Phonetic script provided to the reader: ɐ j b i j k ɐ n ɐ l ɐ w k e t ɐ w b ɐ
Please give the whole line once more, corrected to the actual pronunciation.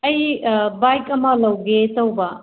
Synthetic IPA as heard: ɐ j b a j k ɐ m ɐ l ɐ w ɡ e t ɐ w b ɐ